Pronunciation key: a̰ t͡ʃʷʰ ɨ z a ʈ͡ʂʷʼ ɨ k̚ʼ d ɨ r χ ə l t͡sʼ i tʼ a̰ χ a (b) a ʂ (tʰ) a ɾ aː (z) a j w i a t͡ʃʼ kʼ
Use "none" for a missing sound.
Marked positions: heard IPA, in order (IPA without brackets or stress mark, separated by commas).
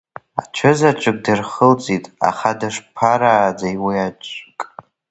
d, pʰ, d͡z